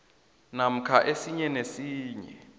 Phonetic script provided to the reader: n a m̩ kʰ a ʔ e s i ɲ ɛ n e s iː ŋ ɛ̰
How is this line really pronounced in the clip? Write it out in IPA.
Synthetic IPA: n a m̩ kʰ a ʔ e s i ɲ ɛ n e s iː ɲ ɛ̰